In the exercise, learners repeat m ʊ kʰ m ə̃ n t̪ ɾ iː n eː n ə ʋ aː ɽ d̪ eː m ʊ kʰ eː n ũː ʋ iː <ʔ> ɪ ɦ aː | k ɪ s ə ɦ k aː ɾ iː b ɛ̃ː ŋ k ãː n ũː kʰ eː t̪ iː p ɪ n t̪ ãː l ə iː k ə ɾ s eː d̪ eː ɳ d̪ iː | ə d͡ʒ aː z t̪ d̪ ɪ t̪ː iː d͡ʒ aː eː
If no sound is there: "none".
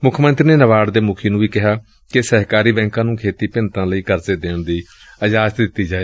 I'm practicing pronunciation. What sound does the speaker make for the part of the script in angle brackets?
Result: k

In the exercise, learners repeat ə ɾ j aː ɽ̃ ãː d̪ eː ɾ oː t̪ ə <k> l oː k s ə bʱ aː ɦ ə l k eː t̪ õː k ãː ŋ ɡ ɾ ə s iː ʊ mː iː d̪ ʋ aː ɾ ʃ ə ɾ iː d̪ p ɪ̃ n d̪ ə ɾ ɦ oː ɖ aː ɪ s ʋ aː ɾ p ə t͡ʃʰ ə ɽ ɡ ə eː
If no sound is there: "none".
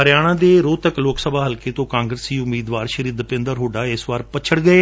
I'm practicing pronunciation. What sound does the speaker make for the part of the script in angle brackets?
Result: k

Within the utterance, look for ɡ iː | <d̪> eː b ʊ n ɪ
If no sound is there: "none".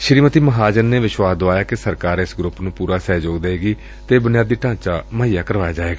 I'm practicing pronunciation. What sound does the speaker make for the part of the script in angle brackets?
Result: t̪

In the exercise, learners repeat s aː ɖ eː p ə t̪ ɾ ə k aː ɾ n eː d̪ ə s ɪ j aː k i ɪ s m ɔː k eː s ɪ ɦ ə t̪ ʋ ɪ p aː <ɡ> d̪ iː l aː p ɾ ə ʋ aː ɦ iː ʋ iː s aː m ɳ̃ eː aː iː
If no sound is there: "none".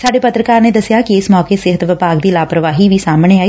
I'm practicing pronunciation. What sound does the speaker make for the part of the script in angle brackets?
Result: ɡ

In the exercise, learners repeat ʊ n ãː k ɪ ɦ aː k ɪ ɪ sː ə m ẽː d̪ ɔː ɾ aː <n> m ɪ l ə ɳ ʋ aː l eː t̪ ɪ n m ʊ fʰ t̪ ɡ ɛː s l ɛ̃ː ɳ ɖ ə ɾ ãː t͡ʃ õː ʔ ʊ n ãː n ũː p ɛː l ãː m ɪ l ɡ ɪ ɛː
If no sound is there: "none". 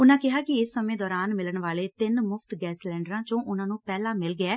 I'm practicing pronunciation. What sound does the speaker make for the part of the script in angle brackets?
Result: n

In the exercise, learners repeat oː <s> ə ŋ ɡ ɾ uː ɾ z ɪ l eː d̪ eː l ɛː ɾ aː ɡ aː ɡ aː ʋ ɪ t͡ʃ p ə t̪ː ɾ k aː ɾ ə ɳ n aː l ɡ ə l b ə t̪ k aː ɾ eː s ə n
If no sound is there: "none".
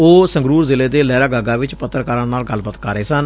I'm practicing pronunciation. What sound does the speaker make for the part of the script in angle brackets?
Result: s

